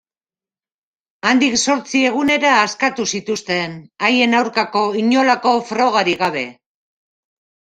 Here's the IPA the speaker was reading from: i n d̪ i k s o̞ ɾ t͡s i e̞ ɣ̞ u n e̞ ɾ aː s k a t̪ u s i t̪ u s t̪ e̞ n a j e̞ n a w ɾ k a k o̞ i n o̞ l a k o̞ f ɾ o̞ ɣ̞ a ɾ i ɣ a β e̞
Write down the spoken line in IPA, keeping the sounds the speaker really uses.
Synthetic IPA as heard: a n d̪ i k s o̞ ɾ t͡s i e̞ ɣ̞ u n e̞ ɾ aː s k a t̪ u s i t̪ u s t̪ e̞ n a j e̞ n a w ɾ k a k o̞ i ɲ o̞ l a k o̞ f ɾ o̞ ɣ̞ a ɾ i ɣ a β e̞